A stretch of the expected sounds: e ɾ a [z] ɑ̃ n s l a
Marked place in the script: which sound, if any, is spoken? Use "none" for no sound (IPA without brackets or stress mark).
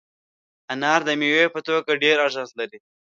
ʒ